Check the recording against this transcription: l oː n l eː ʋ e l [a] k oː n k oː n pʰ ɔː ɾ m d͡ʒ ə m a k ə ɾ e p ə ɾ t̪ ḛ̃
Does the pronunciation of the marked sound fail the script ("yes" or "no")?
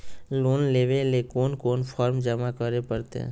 yes